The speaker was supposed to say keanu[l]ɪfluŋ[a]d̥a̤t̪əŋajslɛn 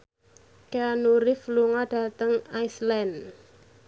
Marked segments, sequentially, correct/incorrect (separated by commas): incorrect, correct